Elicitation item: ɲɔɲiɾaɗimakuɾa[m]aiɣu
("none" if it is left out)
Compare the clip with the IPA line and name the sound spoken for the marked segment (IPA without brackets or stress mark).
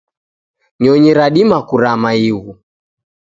m